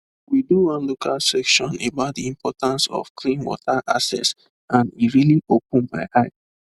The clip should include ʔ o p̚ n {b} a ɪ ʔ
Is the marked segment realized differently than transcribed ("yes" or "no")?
no